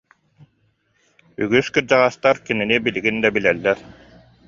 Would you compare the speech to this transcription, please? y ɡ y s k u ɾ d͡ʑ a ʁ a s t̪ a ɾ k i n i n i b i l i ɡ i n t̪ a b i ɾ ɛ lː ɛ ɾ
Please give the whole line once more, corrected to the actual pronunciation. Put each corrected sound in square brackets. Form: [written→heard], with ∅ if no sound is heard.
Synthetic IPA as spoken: y ɡ y s k [u→ɯ] ɾ d͡ʑ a ʁ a s t̪ a ɾ k i n i n i b i l i ɡ i n [t̪→d̪] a b i [ɾ→l] ɛ lː ɛ ɾ